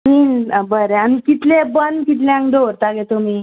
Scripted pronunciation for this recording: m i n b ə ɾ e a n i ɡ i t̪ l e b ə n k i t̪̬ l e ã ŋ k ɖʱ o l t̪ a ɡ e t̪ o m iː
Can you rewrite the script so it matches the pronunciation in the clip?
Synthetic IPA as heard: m i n b ə ɾ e a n i k i t̪ l e b ə n k i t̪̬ l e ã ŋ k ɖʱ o ɾ t̪ a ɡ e t̪ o m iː